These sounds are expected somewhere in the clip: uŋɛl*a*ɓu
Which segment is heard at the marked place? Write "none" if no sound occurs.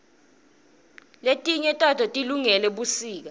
ɛ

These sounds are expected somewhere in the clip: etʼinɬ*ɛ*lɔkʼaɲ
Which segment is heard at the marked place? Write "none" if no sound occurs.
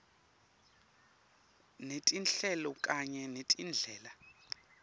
ɛ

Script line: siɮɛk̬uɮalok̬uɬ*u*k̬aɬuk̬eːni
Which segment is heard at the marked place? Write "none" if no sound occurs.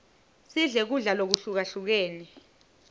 u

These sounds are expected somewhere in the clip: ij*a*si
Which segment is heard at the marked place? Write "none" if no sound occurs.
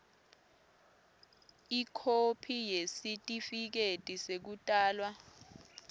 e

